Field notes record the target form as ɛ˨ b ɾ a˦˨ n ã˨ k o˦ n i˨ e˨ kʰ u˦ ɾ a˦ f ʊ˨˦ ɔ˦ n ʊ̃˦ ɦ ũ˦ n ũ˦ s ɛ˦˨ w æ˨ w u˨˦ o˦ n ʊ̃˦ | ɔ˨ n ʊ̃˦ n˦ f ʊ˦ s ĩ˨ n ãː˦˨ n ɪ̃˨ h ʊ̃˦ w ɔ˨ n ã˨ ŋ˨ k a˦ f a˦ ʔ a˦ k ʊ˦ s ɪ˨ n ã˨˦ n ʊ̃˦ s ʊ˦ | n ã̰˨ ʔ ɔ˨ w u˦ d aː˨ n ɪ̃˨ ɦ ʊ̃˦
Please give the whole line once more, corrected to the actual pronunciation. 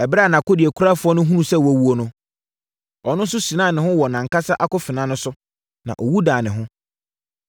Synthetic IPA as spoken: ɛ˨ b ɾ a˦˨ n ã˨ k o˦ d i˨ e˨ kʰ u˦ ɾ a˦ f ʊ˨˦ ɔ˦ n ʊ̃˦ ɦ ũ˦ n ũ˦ s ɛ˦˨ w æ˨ w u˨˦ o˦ n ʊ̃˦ | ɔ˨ n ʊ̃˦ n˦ s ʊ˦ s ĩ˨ n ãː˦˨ n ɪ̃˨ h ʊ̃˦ w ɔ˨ n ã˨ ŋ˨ k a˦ s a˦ ʔ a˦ k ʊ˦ f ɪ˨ n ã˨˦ n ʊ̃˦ s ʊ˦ | n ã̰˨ ʔ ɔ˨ w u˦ d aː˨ n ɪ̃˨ ɦ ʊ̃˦